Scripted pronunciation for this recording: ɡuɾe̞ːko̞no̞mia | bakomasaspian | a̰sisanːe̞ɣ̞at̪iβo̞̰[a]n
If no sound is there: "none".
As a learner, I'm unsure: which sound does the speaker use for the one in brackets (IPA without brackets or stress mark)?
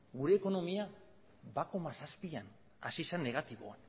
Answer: a